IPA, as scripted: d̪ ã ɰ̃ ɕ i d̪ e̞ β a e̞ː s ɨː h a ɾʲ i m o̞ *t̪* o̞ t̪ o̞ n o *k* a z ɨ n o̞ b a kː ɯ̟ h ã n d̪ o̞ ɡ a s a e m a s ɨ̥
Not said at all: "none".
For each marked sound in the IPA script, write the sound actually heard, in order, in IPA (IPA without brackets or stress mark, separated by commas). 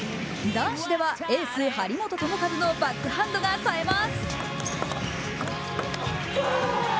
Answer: t̪, k